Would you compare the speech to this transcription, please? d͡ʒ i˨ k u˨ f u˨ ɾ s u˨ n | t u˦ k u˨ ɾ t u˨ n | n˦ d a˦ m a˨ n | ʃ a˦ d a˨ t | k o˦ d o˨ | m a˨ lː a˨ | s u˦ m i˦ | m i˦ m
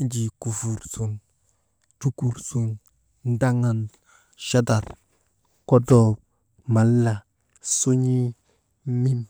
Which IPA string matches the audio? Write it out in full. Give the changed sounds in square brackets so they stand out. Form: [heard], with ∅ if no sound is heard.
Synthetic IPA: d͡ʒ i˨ k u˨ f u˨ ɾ s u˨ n | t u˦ k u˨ ɾ [s] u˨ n | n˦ d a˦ [ŋ] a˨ n | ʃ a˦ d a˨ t | k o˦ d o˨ | m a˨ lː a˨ | s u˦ [ɲ] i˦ | m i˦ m